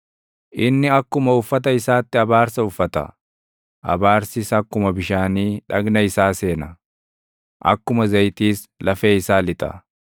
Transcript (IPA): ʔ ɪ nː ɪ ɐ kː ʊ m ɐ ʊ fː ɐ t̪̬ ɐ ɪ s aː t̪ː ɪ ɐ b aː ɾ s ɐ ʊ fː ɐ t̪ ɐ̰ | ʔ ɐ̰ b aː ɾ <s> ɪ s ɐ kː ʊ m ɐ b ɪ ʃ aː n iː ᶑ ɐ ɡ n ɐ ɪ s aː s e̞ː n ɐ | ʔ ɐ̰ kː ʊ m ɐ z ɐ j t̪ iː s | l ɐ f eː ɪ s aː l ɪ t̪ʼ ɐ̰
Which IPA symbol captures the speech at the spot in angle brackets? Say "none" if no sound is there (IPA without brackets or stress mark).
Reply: s